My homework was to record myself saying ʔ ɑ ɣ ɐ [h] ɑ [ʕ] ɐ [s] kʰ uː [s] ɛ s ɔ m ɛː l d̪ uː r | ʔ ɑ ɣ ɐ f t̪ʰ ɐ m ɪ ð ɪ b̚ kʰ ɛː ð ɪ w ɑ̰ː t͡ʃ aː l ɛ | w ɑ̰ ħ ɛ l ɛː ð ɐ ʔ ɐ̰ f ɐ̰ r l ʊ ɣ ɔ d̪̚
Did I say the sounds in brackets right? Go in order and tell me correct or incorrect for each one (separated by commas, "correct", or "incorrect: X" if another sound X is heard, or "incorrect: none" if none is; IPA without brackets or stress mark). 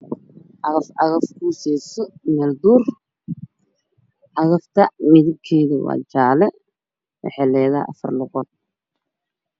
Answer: incorrect: f, incorrect: ɣ, incorrect: f, correct